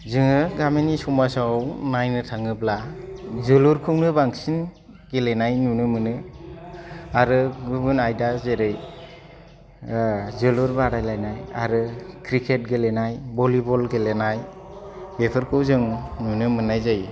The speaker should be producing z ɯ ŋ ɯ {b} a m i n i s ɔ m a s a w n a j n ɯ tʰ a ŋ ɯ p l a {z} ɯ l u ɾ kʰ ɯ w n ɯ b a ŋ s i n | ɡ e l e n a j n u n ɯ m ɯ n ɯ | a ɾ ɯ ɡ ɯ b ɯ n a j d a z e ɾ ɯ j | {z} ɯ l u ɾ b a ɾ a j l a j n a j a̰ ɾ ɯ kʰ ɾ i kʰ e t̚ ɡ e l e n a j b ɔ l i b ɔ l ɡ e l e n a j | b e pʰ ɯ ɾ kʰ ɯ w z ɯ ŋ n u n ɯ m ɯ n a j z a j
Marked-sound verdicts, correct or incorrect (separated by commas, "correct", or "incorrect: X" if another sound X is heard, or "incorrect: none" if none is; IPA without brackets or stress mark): incorrect: ɡ, correct, correct